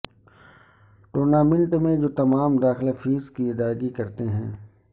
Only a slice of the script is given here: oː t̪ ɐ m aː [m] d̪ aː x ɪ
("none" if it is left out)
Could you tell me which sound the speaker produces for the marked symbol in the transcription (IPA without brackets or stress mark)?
m